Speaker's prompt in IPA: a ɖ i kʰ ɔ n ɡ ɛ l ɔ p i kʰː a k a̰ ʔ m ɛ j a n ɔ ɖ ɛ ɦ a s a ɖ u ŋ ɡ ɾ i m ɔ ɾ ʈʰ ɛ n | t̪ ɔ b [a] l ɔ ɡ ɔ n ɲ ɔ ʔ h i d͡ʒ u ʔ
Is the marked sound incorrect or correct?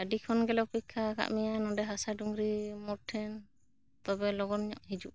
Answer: incorrect